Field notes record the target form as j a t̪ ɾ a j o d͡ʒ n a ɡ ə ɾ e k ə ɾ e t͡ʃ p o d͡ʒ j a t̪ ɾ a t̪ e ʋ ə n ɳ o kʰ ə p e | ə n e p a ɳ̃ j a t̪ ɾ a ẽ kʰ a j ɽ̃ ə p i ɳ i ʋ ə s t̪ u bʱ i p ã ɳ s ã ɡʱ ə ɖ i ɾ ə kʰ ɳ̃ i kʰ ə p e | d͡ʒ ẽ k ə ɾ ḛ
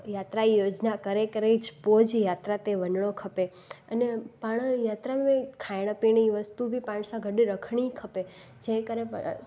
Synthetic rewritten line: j a t̪ ɾ a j o d͡ʒ n a k ə ɾ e k ə ɾ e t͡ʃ p o d͡ʒ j a t̪ ɾ a t̪ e ʋ ə n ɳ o kʰ ə p e | ə n e p a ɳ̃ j a t̪ ɾ a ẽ kʰ a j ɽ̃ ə p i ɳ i ʋ ə s t̪ u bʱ i p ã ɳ s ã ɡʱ ə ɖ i ɾ ə kʰ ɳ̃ i kʰ ə p e | d͡ʒ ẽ k ə ɾ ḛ